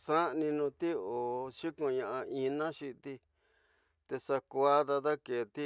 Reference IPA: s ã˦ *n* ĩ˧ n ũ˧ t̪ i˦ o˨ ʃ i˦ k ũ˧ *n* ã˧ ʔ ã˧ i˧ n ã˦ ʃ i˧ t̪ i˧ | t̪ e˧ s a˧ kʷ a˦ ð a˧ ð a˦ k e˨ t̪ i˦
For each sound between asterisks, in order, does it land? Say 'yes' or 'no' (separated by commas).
yes, no